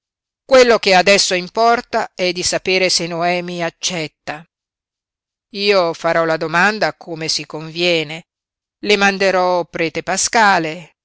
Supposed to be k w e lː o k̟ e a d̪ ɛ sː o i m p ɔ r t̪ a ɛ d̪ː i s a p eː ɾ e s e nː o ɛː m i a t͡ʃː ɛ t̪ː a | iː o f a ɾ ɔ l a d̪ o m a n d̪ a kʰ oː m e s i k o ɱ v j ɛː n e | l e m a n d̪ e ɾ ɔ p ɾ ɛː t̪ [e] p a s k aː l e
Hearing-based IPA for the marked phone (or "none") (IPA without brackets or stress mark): e